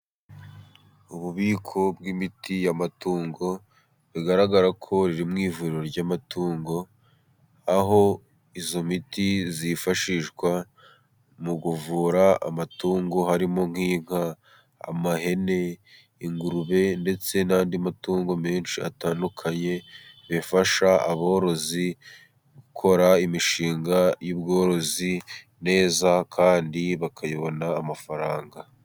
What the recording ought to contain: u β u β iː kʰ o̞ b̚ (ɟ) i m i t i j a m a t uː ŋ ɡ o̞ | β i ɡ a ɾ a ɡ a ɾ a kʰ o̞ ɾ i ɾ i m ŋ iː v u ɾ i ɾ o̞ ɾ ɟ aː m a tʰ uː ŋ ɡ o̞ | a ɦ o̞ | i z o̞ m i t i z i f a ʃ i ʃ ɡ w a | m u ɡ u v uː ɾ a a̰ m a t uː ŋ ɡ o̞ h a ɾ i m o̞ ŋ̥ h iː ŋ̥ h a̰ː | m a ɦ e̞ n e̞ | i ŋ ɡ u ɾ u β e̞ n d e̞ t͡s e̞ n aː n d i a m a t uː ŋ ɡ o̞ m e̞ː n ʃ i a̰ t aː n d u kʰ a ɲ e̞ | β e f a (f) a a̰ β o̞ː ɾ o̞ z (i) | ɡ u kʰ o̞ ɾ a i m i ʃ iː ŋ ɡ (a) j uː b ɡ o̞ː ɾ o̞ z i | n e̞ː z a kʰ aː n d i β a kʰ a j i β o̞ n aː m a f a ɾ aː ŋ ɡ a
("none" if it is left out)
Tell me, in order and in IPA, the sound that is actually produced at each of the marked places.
ɡ, ʃ, i, a

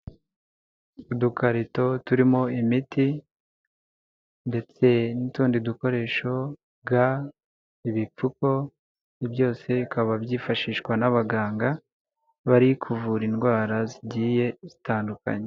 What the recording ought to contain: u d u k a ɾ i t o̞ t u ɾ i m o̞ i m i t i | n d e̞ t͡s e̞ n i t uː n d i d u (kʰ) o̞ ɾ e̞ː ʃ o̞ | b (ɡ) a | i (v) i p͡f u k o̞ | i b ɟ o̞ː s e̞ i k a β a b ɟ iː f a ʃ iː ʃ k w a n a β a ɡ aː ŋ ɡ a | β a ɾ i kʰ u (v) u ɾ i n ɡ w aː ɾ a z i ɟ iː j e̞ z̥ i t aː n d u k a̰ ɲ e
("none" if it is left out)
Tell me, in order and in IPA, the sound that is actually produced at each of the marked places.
k, ɡ, β, v

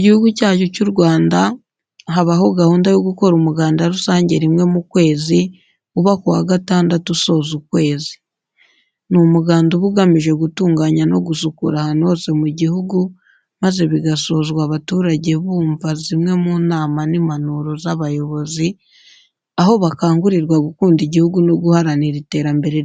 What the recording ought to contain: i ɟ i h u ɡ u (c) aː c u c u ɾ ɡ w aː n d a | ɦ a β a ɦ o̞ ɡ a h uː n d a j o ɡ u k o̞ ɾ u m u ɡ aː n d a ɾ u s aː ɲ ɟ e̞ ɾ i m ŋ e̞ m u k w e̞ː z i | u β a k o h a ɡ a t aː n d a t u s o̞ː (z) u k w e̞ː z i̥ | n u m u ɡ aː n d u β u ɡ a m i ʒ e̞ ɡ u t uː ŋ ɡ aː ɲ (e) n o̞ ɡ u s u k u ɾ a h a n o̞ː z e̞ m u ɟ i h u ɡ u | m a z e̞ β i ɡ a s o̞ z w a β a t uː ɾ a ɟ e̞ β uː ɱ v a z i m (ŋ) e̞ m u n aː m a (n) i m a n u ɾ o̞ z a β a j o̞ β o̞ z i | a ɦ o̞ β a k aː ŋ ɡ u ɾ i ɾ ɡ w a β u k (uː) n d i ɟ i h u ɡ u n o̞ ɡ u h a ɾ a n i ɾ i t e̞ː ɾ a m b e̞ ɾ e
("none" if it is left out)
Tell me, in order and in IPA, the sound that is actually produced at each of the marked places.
c, z, a, ŋ, n, uː

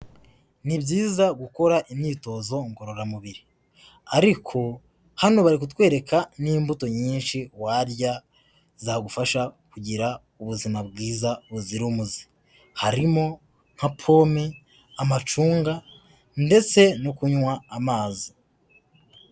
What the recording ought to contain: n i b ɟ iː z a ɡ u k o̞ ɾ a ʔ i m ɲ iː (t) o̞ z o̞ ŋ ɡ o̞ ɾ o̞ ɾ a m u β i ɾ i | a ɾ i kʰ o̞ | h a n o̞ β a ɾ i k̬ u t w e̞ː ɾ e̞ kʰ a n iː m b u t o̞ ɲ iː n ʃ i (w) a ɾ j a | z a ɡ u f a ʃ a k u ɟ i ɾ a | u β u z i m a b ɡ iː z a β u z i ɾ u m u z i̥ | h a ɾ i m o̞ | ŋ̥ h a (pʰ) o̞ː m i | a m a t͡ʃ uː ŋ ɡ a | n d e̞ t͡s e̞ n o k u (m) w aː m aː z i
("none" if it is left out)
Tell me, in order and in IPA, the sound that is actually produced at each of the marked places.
t, w, pʰ, ɲ

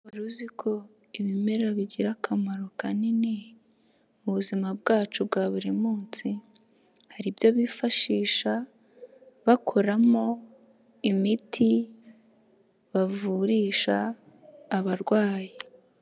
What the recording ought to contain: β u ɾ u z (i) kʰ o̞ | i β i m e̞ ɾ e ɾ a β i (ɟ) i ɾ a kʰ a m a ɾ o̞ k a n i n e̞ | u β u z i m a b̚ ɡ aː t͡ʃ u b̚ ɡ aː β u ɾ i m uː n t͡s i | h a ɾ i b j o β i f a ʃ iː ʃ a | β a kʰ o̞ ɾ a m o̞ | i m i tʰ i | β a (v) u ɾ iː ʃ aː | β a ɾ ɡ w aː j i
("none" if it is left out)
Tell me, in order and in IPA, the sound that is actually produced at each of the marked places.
i, ɟ, v

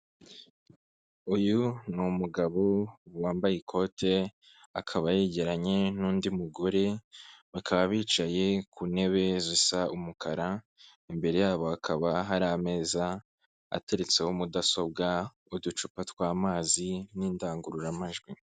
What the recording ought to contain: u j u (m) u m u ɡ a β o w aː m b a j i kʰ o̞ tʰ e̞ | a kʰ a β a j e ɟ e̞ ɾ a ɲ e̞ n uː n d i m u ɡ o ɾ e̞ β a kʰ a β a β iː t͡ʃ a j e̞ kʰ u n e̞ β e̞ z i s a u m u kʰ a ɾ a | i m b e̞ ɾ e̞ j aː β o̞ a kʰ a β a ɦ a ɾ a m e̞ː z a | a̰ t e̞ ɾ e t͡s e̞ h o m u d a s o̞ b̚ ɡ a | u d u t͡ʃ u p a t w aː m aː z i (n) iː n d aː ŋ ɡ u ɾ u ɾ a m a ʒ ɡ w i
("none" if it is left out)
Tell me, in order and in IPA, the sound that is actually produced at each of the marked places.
n, n

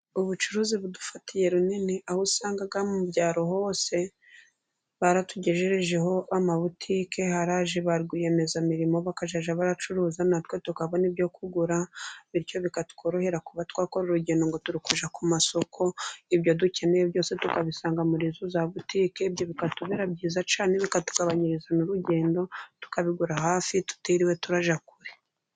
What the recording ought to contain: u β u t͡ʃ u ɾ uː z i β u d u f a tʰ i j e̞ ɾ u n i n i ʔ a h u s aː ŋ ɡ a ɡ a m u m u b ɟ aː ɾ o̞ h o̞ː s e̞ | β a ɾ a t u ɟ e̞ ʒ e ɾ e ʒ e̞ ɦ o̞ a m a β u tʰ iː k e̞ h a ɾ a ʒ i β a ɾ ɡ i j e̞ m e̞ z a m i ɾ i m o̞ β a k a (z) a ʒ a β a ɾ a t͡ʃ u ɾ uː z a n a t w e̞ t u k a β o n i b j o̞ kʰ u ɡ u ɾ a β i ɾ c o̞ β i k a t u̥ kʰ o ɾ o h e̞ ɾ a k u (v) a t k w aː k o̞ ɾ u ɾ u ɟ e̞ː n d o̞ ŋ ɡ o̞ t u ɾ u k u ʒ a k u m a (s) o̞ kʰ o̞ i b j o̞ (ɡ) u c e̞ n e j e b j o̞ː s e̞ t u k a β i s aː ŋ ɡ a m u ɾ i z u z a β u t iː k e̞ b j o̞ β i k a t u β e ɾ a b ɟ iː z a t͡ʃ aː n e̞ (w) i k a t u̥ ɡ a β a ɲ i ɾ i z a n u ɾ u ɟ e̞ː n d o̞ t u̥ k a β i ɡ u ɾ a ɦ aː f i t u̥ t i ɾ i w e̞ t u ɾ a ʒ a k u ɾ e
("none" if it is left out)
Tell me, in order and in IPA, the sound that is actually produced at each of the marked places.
ʒ, β, s, d, β

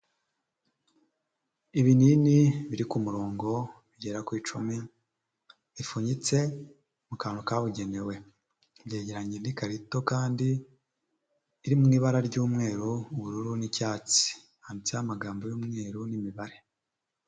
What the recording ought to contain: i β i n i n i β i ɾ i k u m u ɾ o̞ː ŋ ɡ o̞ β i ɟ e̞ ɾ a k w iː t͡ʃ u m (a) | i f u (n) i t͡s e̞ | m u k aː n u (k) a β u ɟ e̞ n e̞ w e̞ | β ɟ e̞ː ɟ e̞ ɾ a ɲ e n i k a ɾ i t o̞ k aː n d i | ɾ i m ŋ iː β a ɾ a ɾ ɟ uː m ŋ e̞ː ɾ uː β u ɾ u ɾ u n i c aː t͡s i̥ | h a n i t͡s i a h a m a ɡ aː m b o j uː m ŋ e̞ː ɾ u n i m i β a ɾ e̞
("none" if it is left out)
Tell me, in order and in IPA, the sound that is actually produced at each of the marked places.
i, ɲ, k

